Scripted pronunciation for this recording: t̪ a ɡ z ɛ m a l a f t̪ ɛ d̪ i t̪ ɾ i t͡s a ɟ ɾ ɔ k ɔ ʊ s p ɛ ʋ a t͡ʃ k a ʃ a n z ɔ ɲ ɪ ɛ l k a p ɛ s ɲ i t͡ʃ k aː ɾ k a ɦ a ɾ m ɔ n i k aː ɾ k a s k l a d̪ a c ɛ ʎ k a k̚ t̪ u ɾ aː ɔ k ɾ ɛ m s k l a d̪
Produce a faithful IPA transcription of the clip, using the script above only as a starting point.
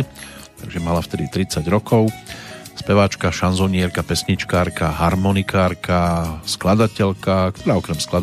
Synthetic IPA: t̪ a ɡ ʒ ɛ m a l a f t̪ ɛ d̪ i t̪ ɾ i t͡s a ɟ ɾ ɔ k ɔ ʊ s p ɛ ʋ a t͡ʃ k a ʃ a n z ɔ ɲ ɪ ɛ ɾ k a p ɛ s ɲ i t͡ʃ k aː ɾ k a ɦ a ɾ m ɔ n i k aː ɾ k a s k l a d̪ a c ɛ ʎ k a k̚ t̪ ɔ ɾ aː ɔ k ɾ ɛ m s k l a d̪